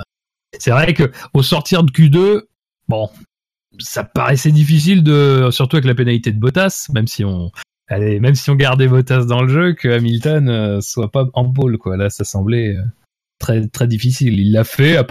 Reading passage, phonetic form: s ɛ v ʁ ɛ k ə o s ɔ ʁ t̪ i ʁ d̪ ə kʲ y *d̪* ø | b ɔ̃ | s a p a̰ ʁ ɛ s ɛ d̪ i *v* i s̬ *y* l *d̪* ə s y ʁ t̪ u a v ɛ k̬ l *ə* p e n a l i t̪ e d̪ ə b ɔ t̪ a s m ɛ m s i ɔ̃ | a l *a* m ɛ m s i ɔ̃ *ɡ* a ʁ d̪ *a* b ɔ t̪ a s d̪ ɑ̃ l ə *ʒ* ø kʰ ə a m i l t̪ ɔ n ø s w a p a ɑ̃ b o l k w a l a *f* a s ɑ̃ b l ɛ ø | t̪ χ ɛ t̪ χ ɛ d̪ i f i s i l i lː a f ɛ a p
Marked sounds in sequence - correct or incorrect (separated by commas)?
correct, incorrect, incorrect, correct, incorrect, incorrect, correct, incorrect, correct, incorrect